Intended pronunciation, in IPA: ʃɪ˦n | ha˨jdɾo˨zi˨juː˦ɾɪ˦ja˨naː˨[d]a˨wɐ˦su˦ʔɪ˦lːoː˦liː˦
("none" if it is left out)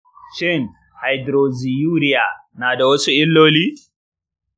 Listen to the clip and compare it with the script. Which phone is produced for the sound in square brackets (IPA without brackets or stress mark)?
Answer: d